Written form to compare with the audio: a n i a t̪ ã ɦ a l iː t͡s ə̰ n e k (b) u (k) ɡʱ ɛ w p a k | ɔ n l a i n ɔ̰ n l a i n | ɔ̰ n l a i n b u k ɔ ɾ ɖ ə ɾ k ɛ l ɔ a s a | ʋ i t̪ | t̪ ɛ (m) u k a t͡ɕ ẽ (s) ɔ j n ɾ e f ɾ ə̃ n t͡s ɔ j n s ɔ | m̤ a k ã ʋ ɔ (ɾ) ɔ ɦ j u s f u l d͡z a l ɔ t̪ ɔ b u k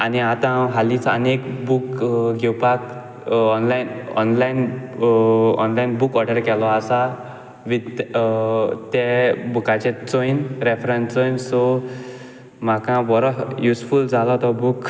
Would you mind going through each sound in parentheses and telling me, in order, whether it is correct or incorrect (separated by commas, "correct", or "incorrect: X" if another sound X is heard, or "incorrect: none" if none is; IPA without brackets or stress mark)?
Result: correct, correct, incorrect: b, incorrect: t͡s, correct